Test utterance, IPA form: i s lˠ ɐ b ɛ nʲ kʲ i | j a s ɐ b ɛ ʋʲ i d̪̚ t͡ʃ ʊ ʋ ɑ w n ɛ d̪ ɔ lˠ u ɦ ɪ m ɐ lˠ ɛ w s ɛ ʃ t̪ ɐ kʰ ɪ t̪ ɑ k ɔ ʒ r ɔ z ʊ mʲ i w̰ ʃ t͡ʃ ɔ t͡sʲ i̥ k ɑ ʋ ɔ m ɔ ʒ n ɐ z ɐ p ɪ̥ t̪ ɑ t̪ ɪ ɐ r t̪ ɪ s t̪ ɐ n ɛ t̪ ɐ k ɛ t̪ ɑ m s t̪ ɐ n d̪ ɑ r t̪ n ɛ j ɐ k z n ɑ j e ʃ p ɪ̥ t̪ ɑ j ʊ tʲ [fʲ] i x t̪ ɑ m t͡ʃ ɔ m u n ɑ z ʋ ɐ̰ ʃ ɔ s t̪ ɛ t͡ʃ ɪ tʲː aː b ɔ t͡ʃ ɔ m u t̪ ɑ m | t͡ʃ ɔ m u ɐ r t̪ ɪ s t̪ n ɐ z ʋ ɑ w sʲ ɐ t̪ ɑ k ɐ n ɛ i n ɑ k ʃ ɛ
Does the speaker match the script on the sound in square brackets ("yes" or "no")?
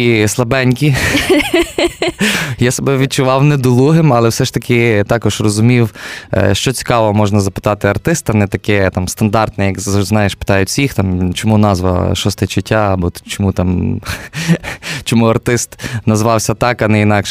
no